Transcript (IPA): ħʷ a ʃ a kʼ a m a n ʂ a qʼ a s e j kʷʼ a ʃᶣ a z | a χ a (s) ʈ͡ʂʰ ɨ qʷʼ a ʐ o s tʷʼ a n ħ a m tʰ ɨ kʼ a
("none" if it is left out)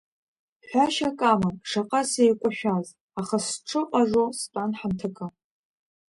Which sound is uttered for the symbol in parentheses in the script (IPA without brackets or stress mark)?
s